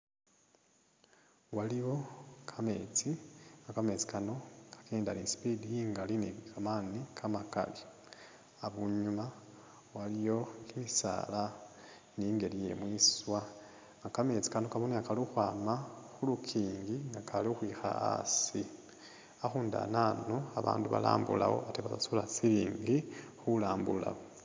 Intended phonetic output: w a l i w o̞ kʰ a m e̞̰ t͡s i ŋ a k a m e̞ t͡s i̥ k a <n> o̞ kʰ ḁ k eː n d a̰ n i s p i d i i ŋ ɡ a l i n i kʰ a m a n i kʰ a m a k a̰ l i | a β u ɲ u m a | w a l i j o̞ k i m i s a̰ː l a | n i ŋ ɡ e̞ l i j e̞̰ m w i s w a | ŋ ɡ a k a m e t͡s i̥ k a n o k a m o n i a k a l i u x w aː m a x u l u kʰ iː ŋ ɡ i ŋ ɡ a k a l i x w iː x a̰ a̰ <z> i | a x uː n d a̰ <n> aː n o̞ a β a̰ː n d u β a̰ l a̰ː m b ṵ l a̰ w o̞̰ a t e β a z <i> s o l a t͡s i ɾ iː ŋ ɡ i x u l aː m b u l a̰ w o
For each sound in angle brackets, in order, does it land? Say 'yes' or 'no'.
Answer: yes, no, yes, no

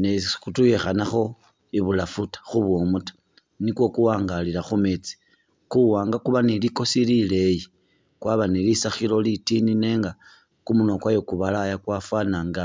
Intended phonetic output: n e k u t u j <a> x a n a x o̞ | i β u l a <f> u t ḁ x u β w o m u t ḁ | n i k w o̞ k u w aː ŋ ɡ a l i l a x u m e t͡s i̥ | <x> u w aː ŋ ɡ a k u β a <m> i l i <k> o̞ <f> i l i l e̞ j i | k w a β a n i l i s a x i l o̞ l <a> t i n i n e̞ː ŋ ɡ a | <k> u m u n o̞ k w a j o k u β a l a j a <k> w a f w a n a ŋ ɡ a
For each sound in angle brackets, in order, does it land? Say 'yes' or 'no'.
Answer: no, yes, no, no, yes, no, no, yes, yes

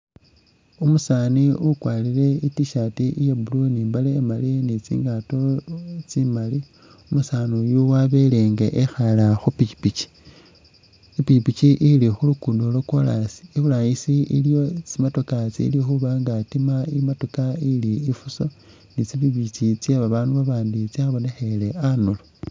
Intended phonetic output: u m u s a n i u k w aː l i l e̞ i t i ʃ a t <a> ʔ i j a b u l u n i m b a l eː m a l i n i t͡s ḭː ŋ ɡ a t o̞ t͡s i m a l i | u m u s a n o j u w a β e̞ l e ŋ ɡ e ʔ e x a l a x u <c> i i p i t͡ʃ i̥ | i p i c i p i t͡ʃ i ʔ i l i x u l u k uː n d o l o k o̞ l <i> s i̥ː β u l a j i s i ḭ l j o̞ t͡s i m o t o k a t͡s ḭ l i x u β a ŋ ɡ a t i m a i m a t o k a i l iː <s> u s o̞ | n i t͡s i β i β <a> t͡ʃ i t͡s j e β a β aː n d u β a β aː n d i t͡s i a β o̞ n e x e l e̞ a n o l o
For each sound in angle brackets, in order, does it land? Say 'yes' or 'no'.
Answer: no, no, no, no, no

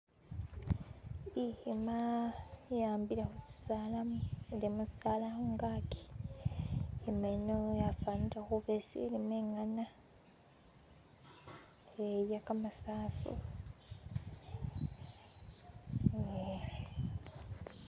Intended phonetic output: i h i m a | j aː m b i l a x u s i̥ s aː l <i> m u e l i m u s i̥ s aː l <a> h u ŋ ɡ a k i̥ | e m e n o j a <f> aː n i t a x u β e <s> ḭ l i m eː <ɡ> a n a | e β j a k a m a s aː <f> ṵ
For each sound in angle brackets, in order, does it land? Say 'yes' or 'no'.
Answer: no, yes, yes, yes, no, yes

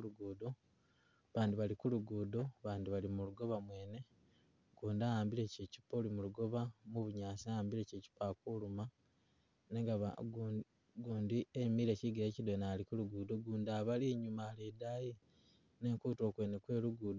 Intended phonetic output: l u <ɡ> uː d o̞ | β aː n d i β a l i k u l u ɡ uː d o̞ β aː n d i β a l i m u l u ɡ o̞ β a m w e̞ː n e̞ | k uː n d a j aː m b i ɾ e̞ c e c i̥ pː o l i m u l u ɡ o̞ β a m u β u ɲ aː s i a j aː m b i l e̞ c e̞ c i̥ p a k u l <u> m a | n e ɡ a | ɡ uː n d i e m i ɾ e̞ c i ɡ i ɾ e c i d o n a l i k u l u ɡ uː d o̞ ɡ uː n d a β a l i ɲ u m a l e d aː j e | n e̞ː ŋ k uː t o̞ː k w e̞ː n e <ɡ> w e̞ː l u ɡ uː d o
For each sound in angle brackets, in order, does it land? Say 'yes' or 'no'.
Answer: yes, yes, no

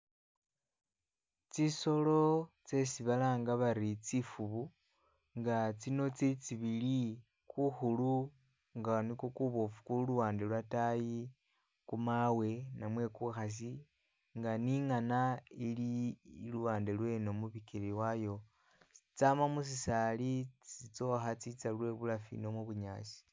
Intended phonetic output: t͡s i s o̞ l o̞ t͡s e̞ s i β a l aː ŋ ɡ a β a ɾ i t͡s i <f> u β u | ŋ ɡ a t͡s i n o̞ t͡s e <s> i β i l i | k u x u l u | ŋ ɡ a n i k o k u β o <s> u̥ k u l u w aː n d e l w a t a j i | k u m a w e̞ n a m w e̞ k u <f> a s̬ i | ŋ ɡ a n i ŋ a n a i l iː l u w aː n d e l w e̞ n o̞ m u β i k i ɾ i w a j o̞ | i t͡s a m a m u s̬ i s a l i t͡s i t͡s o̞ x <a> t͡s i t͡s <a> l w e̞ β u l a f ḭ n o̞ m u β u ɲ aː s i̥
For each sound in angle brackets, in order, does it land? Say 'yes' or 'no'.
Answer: yes, no, no, no, yes, yes

